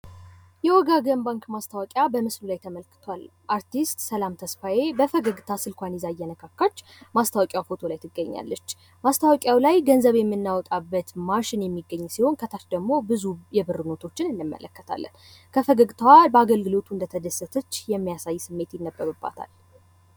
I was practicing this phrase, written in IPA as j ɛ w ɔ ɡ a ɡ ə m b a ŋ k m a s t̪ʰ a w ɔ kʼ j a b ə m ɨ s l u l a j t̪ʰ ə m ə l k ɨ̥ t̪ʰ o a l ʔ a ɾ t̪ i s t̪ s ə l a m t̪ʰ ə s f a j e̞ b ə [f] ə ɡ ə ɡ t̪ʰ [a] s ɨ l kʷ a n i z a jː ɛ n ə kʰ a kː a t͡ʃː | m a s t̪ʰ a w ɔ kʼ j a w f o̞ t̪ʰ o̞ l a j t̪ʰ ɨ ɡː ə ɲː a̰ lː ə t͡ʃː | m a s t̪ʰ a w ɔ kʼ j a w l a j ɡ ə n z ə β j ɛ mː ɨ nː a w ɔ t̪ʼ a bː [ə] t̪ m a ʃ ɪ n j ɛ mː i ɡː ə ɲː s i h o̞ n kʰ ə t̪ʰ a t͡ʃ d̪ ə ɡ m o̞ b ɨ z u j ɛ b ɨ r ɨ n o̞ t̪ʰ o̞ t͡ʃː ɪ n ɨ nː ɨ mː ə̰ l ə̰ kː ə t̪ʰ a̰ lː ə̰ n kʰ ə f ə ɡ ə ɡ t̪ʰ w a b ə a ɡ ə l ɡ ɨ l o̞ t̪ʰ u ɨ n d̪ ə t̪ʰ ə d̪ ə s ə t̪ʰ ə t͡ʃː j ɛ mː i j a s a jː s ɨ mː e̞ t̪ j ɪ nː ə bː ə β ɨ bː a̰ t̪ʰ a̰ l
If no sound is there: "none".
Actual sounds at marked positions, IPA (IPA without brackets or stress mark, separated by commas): f, a, ə